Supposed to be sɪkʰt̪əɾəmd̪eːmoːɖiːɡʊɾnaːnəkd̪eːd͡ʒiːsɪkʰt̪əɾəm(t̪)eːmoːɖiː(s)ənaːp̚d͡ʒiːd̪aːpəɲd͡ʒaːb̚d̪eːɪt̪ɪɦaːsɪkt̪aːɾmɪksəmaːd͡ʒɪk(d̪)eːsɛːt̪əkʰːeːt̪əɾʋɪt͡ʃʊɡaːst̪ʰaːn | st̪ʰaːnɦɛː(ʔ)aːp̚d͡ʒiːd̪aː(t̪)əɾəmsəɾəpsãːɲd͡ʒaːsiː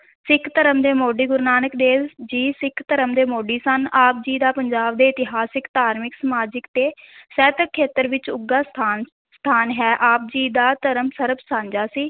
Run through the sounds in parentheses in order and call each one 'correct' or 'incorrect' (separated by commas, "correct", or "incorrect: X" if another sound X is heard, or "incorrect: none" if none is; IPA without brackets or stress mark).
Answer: incorrect: d̪, correct, incorrect: t̪, correct, correct